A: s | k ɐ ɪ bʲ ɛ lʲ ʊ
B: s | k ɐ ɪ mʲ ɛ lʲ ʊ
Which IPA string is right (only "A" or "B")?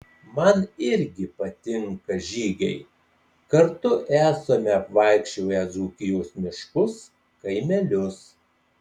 B